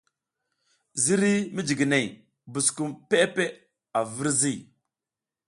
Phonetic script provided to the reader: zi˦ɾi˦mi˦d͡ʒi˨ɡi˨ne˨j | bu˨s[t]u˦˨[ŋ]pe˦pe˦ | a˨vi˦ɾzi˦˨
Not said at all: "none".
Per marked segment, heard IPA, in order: k, m

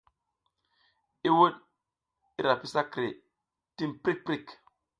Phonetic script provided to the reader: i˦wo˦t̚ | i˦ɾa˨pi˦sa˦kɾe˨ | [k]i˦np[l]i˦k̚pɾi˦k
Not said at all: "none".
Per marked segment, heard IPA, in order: t, ɾ

